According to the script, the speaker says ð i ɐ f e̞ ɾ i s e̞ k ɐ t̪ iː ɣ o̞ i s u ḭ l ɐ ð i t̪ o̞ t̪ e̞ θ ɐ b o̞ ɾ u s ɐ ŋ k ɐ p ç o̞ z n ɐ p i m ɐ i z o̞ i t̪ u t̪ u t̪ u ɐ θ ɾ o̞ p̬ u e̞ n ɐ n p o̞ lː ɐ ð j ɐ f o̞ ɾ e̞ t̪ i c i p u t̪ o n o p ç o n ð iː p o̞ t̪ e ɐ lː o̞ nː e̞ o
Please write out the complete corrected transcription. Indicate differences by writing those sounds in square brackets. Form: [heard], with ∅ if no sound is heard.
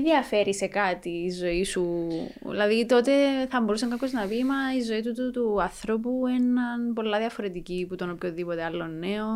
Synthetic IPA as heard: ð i ɐ f e̞ ɾ i s e̞ k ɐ t̪ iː [z] o̞ i s u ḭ l ɐ ð i t̪ o̞ t̪ e̞ θ ɐ b o̞ ɾ u s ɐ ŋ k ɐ p ç o̞ z n ɐ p i m ɐ i z o̞ i t̪ u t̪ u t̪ u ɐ θ ɾ o̞ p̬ u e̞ n ɐ n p o̞ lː ɐ ð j ɐ f o̞ ɾ e̞ t̪ i c i p u t̪ o n o p ç o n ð [i] p o̞ t̪ e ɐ lː o̞ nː e̞ o